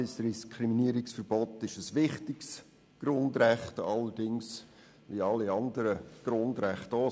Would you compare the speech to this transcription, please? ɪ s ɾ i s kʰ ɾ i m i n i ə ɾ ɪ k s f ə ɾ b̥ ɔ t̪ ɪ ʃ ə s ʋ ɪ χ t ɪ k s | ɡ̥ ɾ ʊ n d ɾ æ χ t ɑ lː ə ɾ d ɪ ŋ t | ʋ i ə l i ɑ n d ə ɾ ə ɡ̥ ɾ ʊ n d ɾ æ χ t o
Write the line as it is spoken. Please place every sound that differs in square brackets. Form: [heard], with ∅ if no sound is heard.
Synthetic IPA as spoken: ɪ s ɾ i s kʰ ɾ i m i n i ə ɾ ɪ k s f ə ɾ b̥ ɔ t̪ ɪ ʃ ə s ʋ ɪ χ t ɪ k s | ɡ̥ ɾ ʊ n d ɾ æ χ t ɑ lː ə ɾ d ɪ ŋ [s] | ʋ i [ɑ] l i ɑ n d ə ɾ ə ɡ̥ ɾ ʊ n d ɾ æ χ t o